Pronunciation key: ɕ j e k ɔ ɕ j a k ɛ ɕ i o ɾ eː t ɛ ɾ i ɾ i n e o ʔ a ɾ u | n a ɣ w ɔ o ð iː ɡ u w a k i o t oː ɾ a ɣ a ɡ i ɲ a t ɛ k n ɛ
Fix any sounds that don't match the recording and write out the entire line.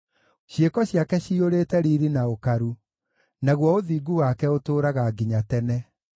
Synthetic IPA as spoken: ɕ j e k ɔ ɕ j a k ɛ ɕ i o ɾ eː t ɛ ɾ i ɾ i n a o k a ɾ u | n a ɣ w ɔ o ð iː ɡ u w a k ɛ o t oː ɾ a ɣ a ɡ i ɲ a t ɛ n ɛ